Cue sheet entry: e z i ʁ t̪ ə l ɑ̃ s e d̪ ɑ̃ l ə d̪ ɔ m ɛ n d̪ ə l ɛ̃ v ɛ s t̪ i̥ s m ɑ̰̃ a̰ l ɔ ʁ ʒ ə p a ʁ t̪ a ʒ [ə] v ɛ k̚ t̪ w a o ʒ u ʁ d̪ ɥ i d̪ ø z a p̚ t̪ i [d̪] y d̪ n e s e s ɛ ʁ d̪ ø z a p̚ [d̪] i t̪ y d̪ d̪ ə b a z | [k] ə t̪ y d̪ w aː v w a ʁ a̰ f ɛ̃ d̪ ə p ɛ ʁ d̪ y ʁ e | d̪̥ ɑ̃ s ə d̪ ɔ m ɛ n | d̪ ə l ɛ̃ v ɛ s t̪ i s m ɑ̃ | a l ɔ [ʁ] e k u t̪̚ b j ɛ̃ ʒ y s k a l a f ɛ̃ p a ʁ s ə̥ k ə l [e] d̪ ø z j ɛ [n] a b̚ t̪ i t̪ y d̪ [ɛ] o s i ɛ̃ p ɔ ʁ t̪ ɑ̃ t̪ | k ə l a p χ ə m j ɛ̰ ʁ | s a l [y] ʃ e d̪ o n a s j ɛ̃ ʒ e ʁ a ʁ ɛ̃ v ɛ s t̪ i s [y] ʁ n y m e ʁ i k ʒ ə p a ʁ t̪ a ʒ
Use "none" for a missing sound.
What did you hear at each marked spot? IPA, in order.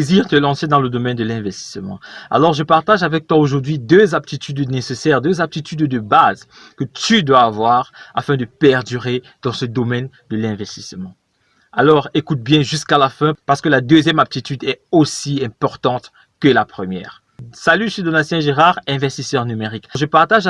a, t̪, t̪, k, ʁ, a, m, ɛ, y, œ

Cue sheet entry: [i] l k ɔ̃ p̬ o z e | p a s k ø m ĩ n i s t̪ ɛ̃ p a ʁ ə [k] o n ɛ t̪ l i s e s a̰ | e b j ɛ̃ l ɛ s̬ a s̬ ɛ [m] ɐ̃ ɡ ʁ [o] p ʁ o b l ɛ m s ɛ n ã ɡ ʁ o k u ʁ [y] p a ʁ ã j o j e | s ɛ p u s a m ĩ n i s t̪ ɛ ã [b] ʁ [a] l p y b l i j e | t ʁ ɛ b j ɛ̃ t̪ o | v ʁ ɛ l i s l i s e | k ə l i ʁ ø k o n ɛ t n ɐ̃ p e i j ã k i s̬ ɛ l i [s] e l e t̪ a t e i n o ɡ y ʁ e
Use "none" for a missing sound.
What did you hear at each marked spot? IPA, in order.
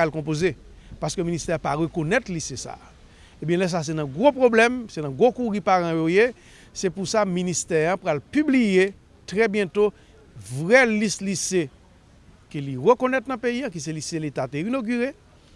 a, k, n, o, i, p, a, s

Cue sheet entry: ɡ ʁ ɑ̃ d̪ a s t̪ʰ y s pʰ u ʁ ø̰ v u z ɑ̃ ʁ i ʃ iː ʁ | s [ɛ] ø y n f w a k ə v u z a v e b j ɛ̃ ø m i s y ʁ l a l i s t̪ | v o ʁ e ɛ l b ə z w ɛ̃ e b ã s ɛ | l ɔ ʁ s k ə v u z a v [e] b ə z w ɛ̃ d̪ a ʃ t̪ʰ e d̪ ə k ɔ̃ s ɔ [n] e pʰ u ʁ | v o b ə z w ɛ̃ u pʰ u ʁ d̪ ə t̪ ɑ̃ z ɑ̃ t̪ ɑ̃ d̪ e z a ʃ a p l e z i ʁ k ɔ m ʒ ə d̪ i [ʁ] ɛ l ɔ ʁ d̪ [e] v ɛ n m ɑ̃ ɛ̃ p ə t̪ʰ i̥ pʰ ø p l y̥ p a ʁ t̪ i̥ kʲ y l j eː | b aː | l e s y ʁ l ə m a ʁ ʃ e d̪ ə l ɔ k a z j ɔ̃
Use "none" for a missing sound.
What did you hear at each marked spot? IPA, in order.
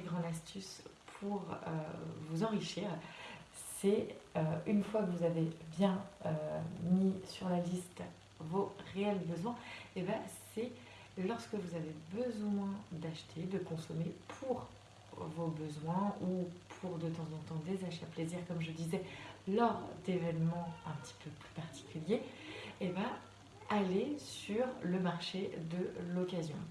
ɛ, e, m, z, e

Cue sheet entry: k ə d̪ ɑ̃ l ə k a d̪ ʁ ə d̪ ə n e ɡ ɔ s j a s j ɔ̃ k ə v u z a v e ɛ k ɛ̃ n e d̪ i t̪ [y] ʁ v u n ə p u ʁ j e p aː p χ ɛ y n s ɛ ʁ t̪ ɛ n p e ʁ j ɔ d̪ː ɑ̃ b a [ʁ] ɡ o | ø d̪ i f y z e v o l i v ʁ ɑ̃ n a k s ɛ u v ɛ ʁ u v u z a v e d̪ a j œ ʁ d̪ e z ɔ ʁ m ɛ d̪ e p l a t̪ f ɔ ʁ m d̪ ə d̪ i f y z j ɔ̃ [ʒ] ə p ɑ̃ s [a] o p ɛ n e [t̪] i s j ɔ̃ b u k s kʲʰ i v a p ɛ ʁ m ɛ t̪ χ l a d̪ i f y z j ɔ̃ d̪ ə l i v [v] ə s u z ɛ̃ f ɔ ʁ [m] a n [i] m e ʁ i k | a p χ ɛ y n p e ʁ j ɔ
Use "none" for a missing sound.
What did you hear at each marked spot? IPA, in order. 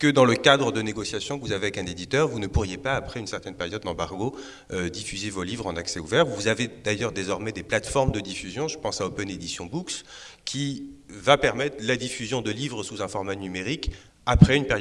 œ, ʁ, ʒ, a, d̪, ʁ, m, y

